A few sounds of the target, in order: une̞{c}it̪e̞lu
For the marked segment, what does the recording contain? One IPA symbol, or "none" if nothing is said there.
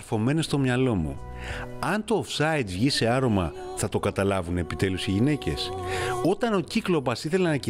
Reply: p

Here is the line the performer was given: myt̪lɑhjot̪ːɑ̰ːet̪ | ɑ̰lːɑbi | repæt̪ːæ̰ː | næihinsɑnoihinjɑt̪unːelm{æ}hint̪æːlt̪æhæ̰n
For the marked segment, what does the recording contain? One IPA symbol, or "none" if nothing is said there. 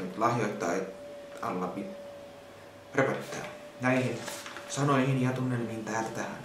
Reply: i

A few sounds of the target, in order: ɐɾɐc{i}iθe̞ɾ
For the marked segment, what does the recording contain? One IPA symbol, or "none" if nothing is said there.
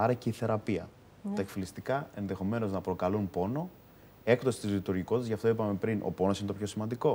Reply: e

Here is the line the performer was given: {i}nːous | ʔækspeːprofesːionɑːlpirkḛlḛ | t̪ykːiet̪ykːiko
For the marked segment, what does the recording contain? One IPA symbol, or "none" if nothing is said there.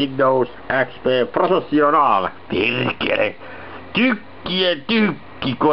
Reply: i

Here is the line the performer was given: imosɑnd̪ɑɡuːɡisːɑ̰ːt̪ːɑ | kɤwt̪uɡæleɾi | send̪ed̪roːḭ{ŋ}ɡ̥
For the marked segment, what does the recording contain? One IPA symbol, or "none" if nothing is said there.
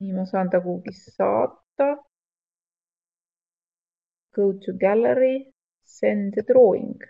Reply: ŋ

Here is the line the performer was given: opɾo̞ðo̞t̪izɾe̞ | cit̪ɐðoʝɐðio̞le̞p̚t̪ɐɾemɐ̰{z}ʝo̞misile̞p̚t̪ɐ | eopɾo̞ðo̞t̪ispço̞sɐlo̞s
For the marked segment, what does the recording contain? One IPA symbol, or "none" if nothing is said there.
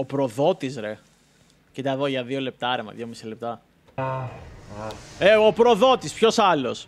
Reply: ð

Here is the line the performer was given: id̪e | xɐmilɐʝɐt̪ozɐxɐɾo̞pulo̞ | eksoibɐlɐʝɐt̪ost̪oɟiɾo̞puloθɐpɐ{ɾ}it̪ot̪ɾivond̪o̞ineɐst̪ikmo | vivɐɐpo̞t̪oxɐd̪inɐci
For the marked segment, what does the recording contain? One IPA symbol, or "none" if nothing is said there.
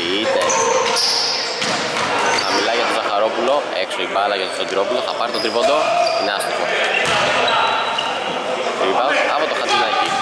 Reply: ɾ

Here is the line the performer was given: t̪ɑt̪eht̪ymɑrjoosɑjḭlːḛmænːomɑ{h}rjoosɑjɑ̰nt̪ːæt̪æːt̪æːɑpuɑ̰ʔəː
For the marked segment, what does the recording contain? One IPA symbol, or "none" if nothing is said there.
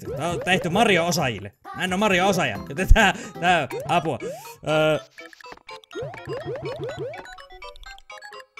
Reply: none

